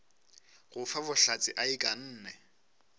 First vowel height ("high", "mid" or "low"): high